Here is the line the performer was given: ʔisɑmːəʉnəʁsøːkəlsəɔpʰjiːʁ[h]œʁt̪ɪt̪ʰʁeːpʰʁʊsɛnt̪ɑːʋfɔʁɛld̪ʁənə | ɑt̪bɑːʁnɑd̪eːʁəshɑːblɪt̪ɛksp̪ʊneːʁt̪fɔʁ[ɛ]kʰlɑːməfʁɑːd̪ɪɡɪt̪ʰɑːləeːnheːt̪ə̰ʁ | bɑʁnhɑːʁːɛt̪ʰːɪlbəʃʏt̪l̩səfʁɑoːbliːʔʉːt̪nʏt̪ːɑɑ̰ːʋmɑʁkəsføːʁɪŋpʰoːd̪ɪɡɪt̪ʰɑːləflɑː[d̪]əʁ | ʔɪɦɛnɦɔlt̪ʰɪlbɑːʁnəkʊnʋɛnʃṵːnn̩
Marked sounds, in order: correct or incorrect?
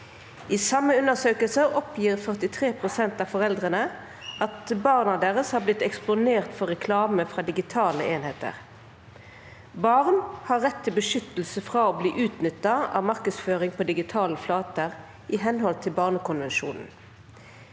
incorrect: f, correct, incorrect: t̪

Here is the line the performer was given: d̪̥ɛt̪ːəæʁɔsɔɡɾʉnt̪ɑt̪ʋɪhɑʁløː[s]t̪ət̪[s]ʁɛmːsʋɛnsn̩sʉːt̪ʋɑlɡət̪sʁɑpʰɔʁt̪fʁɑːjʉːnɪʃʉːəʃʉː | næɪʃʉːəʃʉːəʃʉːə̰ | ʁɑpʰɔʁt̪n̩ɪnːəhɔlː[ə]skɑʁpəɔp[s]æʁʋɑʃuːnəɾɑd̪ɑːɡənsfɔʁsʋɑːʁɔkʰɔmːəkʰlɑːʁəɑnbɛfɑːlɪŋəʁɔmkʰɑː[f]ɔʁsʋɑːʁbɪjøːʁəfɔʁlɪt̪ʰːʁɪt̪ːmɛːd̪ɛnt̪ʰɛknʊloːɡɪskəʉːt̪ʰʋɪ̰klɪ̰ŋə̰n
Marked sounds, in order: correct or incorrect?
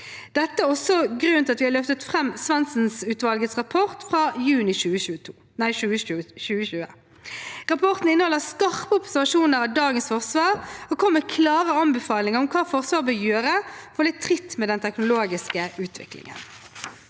incorrect: f, incorrect: f, correct, correct, correct

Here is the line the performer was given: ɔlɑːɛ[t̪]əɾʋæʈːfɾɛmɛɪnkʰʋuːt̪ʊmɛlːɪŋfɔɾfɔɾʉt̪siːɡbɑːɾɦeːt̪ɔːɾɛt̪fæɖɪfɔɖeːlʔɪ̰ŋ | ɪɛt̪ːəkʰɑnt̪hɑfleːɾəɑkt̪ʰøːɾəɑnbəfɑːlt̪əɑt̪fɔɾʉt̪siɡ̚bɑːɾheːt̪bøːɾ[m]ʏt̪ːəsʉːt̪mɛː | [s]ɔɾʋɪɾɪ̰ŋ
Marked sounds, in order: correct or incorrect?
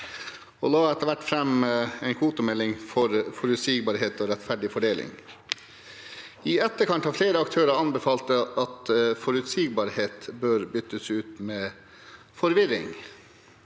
correct, incorrect: b, incorrect: f

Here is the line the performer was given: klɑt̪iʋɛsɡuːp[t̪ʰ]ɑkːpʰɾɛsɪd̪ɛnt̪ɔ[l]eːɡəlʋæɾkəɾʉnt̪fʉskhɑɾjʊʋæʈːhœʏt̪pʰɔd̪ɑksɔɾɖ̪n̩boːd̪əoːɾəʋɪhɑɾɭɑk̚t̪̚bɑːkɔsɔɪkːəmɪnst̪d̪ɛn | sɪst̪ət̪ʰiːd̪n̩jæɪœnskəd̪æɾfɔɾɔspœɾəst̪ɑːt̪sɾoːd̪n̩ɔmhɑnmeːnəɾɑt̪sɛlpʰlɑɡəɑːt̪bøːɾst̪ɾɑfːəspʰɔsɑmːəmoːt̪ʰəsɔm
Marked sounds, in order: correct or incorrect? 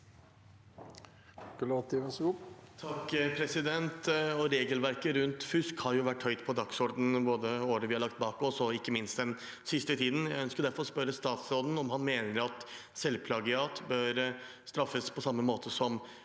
correct, incorrect: ɾ

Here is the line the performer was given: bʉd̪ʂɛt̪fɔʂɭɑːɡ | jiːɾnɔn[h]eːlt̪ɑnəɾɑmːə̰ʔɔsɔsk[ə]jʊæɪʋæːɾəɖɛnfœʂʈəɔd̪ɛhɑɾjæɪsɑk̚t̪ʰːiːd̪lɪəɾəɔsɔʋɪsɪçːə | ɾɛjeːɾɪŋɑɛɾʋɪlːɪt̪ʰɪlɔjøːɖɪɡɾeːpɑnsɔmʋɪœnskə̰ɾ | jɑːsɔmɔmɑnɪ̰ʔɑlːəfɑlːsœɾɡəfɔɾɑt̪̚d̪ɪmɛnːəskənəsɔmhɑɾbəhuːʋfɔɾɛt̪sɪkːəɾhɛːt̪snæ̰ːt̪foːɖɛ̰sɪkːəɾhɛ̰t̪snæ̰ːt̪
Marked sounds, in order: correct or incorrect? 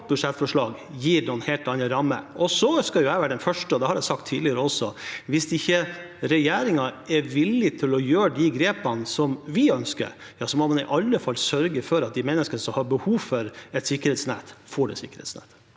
correct, incorrect: ɑ

